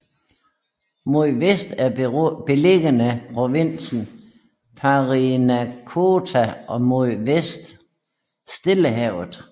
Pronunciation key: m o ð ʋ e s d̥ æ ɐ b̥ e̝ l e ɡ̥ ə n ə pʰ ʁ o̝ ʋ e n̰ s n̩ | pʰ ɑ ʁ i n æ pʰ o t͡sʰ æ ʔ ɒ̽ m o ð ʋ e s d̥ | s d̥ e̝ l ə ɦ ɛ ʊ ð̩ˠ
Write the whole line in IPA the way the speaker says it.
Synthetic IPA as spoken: m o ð ʋ e s d̥ æ ɐ b̥ e̝ l e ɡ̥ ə n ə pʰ ʁ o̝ ʋ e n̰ s n̩ | pʰ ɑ ʁ i n æ kʰ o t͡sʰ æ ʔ ɒ̽ m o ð ʋ e s d̥ | s d̥ e̝ l ə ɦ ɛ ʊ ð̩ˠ